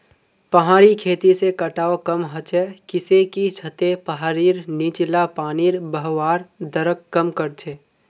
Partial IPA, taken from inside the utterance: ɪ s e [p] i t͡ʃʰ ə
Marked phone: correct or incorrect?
incorrect